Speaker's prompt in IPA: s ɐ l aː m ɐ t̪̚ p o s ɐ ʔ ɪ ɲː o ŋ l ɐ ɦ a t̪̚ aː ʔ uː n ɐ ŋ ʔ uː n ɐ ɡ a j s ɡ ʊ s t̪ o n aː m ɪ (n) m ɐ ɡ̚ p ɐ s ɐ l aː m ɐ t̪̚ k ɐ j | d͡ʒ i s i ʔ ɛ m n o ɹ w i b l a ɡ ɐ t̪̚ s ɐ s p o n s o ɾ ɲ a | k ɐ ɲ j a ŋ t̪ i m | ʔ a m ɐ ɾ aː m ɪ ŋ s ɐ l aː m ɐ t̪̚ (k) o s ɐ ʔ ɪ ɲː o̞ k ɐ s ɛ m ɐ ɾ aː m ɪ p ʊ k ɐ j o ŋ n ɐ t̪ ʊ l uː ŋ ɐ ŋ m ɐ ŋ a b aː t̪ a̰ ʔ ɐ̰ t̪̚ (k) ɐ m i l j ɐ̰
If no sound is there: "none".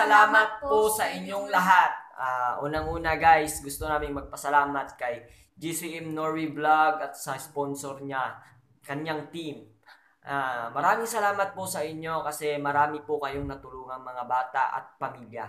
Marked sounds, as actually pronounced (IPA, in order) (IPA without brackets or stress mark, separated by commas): ŋ, p, p